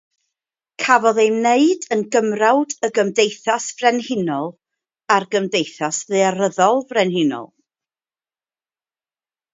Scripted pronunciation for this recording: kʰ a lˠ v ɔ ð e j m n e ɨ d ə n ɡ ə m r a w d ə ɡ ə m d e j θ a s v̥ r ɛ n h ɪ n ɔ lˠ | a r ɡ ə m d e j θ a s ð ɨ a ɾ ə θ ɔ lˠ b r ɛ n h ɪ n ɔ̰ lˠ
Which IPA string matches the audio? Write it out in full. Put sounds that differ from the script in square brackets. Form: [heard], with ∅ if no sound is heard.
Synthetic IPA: kʰ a [∅] v ɔ ð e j m n e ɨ d ə n ɡ ə m r a w d ə ɡ ə m d e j θ a s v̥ r ɛ n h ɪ n ɔ lˠ | a r ɡ ə m d e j θ a s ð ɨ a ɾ ə [ð] ɔ lˠ [v] r ɛ n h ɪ n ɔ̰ lˠ